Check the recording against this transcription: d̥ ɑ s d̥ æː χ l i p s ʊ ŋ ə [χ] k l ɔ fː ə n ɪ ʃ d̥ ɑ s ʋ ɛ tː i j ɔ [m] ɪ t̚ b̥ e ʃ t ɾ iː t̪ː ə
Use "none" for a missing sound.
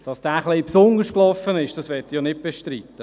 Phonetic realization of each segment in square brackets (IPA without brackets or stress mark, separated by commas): ʃ, n